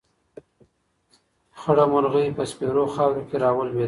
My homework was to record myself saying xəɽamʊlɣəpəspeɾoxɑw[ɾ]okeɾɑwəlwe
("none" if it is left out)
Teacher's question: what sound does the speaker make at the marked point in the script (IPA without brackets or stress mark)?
ɾ